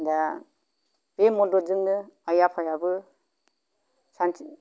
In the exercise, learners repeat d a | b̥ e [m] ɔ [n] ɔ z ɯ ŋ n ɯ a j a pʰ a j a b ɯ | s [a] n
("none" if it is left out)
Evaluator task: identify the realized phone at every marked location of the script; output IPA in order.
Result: m, d, a

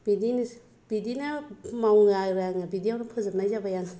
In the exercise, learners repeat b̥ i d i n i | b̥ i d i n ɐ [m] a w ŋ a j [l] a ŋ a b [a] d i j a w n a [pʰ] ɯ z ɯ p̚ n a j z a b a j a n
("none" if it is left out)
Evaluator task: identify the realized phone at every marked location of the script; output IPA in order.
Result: m, ɾ, i, pʰ

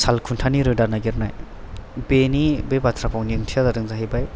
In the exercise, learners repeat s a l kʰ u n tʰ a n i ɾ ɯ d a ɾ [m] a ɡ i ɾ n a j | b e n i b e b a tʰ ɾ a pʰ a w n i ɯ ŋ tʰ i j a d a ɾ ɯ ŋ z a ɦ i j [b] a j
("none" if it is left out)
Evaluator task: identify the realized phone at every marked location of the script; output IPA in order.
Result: n, b

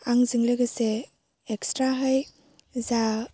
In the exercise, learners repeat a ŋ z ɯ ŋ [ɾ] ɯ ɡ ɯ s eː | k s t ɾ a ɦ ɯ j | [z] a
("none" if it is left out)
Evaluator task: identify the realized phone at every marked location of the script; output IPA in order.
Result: l, z

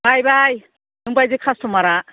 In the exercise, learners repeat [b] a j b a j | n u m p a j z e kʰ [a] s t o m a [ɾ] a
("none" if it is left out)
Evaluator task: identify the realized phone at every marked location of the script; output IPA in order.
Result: b, a, ɾ

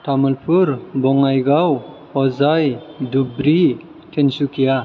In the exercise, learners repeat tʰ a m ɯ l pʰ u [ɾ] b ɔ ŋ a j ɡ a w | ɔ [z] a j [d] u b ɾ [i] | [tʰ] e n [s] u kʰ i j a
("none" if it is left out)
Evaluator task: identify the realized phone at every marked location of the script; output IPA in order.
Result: ɾ, z, d, i, tʰ, s

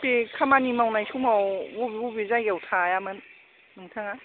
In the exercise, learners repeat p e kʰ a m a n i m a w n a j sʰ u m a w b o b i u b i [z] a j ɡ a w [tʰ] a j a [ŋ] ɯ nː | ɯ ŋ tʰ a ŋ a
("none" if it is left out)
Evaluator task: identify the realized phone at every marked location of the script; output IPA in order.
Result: z, tʰ, m

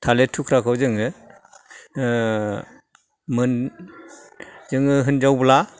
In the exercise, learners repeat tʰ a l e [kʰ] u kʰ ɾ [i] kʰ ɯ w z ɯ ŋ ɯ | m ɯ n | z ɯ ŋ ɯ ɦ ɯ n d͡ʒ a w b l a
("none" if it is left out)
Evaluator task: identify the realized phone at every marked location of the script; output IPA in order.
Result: tʰ, a

